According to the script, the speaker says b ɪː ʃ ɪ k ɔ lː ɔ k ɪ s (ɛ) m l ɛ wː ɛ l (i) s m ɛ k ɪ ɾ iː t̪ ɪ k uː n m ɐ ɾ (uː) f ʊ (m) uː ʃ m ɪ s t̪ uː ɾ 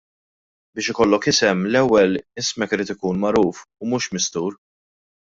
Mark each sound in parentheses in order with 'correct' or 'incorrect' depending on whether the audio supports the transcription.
correct, incorrect: ɪ, correct, correct

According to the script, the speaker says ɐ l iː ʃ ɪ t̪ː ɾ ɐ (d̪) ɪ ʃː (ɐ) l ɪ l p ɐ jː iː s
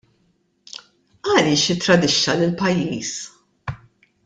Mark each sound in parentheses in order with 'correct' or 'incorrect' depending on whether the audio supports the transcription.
correct, correct

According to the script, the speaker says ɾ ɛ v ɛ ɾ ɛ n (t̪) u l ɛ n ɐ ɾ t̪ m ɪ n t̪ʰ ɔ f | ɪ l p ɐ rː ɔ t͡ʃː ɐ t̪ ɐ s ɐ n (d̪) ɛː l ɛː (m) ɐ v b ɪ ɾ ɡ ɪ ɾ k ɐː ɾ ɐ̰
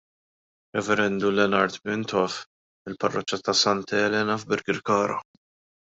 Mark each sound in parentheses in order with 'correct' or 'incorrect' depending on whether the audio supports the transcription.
incorrect: d̪, incorrect: t̪, incorrect: n

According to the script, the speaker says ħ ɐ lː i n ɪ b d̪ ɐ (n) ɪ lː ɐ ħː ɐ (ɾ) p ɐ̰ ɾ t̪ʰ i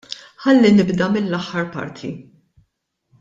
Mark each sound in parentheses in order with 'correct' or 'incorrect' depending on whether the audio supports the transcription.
incorrect: m, correct

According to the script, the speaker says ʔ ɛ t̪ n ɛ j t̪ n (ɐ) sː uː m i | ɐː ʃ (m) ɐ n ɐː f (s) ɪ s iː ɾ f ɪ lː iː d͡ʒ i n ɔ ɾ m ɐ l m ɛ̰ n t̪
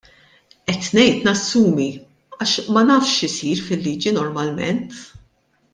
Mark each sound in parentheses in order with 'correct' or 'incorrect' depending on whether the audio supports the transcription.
correct, correct, incorrect: ʃ

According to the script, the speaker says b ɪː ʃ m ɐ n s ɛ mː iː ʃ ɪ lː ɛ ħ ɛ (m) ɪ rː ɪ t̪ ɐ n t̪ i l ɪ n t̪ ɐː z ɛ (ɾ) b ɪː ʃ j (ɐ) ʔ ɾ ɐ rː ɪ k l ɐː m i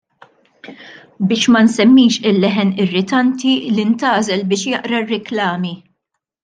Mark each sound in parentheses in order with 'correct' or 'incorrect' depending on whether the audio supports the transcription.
incorrect: n, incorrect: l, correct

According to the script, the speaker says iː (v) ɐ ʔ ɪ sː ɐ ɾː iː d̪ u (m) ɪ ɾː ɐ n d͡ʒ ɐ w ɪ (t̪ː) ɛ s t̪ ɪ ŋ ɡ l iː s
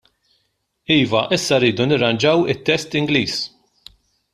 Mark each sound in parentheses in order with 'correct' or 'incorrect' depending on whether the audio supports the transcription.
correct, incorrect: n, correct

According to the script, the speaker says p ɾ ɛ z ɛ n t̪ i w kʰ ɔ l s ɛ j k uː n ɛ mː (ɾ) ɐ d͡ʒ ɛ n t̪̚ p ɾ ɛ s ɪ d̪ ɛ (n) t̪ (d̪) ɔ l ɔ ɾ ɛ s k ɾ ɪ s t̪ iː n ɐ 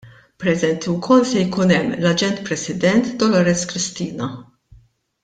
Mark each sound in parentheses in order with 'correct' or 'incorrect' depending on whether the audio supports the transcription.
incorrect: l, correct, correct

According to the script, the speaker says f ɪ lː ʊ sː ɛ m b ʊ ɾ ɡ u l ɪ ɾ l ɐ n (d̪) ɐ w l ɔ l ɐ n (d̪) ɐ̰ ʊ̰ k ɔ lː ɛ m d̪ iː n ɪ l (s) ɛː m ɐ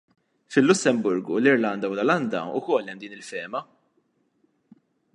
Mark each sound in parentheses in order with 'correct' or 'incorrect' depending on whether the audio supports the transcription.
correct, correct, incorrect: f

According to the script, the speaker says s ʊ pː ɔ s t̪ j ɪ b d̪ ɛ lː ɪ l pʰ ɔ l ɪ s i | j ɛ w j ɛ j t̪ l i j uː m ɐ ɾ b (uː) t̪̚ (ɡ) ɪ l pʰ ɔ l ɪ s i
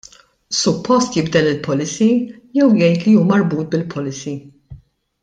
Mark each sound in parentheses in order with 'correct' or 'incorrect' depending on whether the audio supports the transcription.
correct, incorrect: b

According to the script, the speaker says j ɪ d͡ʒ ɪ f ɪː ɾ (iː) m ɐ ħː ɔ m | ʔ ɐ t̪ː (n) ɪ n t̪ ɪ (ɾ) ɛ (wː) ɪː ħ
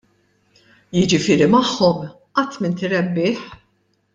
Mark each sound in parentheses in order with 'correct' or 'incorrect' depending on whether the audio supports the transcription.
incorrect: i, incorrect: m, correct, incorrect: bː

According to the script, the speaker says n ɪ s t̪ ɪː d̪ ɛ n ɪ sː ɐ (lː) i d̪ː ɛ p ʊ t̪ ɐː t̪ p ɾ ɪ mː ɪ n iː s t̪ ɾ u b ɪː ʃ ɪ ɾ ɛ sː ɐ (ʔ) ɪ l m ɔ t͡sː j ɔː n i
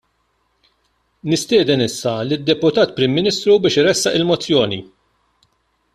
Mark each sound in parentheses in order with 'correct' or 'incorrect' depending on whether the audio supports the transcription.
incorrect: l, correct

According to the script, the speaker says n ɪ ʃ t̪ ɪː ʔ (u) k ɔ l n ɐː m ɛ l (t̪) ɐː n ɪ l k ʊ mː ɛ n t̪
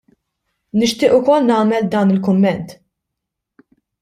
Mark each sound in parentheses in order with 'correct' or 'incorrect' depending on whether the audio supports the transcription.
incorrect: ʊ, incorrect: d̪

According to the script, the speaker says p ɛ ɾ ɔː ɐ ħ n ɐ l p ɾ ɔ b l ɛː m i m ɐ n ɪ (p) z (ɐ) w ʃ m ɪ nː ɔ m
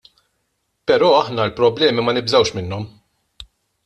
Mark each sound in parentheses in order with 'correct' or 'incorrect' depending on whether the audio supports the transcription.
incorrect: b, correct

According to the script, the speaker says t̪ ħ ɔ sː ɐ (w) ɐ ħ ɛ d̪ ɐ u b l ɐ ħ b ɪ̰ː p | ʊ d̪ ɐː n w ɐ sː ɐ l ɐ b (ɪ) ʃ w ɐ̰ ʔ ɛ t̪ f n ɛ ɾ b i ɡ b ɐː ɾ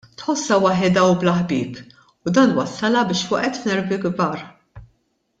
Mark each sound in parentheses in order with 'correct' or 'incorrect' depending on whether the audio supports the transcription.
correct, incorrect: ɪː

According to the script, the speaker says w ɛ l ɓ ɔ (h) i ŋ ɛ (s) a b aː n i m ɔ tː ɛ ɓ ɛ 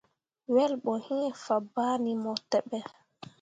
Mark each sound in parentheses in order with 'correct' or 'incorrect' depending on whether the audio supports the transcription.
correct, incorrect: f

